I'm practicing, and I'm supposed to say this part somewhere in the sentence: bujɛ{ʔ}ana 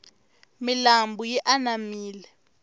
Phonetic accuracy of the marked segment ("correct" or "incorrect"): correct